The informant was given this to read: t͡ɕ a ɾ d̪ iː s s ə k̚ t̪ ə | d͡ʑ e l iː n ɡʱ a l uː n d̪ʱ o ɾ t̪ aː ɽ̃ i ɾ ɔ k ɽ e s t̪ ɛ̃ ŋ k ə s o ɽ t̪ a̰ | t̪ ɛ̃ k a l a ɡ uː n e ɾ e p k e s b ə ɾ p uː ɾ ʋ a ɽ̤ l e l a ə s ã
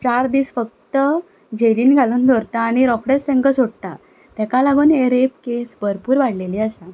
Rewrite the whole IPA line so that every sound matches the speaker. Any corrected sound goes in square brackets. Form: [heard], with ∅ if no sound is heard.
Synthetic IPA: t͡ɕ a ɾ d̪ iː s [f] ə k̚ t̪ ə | d͡ʑ e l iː n ɡʱ a l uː n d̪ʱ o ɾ t̪ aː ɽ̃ i ɾ ɔ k ɽ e s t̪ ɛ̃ ŋ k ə s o ɽ t̪ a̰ | t̪ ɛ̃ k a l a ɡ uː n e ɾ e p k e s b ə ɾ p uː ɾ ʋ a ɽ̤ l e l [i] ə s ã